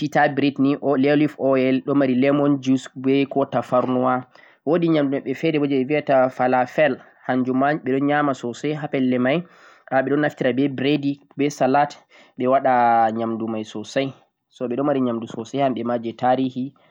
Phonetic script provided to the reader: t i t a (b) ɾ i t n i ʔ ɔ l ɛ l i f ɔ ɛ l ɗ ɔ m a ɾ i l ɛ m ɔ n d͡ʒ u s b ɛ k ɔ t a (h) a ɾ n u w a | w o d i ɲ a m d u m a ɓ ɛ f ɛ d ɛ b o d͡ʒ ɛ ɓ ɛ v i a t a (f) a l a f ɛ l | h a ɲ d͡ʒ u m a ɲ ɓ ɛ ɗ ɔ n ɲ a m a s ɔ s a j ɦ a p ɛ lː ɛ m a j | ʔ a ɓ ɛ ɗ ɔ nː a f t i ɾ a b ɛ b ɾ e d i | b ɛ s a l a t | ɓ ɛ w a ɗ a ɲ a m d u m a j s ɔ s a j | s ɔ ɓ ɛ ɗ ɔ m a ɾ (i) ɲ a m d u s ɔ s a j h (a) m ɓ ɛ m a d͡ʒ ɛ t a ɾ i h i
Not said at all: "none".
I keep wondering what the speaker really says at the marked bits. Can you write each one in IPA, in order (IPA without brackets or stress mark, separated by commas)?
b, f, f, i, a